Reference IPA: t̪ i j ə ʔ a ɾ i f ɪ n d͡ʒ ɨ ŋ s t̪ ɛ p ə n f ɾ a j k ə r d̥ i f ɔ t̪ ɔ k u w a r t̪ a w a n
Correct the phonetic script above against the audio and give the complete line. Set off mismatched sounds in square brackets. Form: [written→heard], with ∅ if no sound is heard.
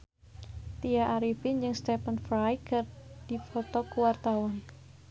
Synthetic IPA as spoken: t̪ i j [ə→a] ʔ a ɾ i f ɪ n d͡ʒ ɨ ŋ s t̪ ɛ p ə n f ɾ a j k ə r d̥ i f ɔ t̪ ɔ k u w a r t̪ a w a n